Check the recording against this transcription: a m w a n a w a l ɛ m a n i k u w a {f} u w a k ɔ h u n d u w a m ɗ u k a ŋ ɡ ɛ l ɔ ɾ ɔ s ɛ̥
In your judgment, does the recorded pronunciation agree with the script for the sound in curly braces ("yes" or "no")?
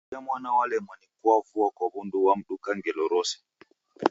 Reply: yes